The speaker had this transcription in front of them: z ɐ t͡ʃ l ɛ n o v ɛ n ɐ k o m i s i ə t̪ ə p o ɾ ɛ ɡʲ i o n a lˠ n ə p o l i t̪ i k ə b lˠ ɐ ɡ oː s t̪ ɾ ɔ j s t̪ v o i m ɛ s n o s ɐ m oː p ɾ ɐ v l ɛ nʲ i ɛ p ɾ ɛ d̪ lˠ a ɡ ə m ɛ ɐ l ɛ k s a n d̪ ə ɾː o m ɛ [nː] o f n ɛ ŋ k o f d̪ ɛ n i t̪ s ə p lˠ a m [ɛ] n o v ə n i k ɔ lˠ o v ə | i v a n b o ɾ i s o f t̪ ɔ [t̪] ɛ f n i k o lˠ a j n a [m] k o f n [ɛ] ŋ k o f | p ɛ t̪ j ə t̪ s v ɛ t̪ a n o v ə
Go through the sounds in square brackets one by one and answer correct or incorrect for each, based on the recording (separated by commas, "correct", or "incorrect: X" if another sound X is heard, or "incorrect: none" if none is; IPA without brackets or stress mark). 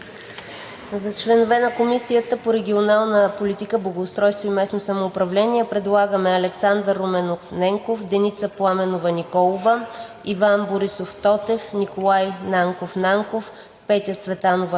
incorrect: n, correct, correct, incorrect: ŋ, incorrect: a